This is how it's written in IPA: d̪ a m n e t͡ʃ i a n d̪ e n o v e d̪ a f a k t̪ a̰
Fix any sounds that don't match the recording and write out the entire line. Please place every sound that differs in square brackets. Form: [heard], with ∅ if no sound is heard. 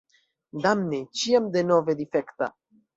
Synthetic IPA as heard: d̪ a m n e t͡ʃ i a [m] d̪ e n o v e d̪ [i] f [e] k t̪ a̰